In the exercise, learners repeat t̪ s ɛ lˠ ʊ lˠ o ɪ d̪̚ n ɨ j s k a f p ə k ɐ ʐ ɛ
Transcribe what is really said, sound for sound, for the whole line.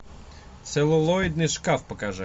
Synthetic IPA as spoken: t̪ s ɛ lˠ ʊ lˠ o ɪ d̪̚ n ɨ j ʂ k a f p ə k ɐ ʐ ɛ